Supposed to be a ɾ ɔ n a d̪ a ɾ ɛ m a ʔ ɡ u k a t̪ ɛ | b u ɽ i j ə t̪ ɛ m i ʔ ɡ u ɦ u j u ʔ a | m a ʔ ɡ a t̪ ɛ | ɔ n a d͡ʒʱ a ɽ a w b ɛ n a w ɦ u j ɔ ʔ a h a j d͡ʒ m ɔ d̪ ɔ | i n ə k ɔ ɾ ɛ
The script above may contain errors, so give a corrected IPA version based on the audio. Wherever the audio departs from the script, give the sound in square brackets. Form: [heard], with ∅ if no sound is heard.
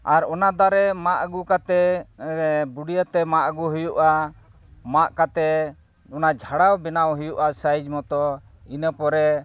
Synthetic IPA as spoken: a ɾ ɔ n a d̪ a ɾ ɛ m a ʔ ɡ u k a t̪ ɛ | b u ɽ i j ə t̪ ɛ m [a] ʔ ɡ u ɦ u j u ʔ a | m a ʔ [k] a t̪ ɛ | ɔ n a d͡ʒʱ a ɽ a w b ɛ n a w ɦ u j [u] ʔ a [s] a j d͡ʒ m ɔ [t̪] ɔ | i n ə [p] ɔ ɾ ɛ